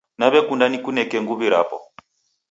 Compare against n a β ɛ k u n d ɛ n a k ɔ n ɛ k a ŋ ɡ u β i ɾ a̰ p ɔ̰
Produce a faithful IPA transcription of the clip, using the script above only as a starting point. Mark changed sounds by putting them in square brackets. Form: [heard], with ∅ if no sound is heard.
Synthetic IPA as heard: n a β ɛ k u n d [a] n [i] k [u] n ɛ k [ɛ] ŋ ɡ u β i ɾ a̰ p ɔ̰